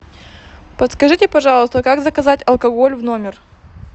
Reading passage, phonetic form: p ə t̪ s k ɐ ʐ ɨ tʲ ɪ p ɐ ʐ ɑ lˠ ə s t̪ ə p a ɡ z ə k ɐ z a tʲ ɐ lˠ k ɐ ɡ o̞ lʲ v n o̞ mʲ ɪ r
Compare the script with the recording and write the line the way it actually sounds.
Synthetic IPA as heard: p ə t̪ s k ɐ ʐ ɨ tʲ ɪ p ɐ ʐ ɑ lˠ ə s t̪ ə k a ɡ z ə k ɐ z a tʲ ɐ lˠ k ɐ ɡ o̞ lʲ v n o̞ mʲ ɪ r